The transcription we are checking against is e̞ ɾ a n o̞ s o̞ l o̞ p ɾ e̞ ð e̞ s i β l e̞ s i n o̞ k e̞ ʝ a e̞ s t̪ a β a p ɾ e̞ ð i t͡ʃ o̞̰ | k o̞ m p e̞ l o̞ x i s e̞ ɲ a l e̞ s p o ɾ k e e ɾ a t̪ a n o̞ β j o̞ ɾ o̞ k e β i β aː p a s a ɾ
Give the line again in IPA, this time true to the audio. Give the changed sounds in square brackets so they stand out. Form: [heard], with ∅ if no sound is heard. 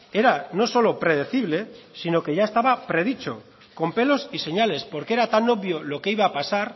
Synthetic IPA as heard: e̞ ɾ a n o̞ s o̞ l o̞ p ɾ e̞ ð e̞ [θ] i β l e̞ s i n o̞ k e̞ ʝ a e̞ s t̪ a β a p ɾ e̞ ð i t͡ʃ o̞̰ | k o̞ m p e̞ l o̞ [s] i s e̞ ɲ a l e̞ s p o ɾ k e e ɾ a t̪ a n o̞ β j o̞ [l] o̞ k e [∅] i β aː p a s a ɾ